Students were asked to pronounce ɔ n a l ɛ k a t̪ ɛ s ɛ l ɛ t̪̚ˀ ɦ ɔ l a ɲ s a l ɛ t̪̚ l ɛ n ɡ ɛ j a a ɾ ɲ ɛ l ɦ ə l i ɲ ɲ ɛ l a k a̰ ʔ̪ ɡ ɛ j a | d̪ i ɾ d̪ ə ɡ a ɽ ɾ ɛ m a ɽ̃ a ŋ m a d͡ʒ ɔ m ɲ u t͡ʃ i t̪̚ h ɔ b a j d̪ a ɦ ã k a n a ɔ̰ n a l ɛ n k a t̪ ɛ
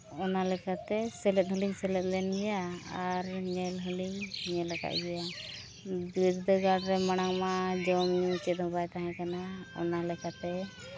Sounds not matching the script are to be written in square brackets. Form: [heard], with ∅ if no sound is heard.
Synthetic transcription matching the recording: ɔ n a l ɛ k a t̪ ɛ s ɛ l ɛ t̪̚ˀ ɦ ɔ l [i] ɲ s [ɛ] l ɛ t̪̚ l ɛ n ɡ ɛ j a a ɾ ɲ ɛ l ɦ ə l i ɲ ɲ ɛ l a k a̰ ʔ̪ ɡ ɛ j a | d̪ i ɾ d̪ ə ɡ a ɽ ɾ ɛ m a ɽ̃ a ŋ m a d͡ʒ ɔ m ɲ u t͡ʃ [ɛ] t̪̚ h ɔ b a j [t̪] a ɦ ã k a n a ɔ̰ n a l ɛ [∅] k a t̪ ɛ